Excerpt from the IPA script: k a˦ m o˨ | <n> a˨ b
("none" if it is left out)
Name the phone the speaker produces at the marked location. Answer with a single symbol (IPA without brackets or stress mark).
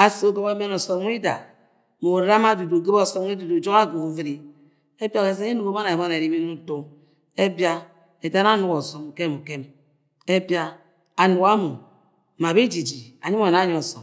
m